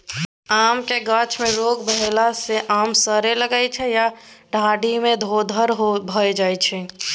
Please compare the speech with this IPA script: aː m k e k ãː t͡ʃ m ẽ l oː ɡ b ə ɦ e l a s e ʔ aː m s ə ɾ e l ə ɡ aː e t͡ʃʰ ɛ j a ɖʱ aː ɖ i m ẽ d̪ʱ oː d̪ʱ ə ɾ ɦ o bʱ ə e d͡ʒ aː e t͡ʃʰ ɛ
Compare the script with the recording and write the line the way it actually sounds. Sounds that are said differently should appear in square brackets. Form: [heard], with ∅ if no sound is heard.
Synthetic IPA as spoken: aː m k e [ɡ] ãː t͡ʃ m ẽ [ɾ] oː ɡ b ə ɦ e l a s e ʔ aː m s ə ɾ e l ə ɡ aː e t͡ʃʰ ɛ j a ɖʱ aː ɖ i m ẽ d̪ʱ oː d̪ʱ ə ɾ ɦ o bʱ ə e d͡ʒ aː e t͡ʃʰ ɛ